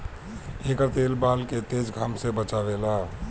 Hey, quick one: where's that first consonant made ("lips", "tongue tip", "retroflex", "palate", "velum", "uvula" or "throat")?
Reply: velum